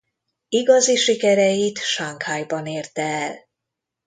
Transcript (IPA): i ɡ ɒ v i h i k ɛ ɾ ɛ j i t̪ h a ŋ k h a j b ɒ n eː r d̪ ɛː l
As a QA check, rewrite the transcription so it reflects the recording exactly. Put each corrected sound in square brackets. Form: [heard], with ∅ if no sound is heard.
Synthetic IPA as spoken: i ɡ ɒ [z] i [ʃ] i k ɛ ɾ ɛ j i t̪ [ʃ] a ŋ k h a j b ɒ n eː r [t̪] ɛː l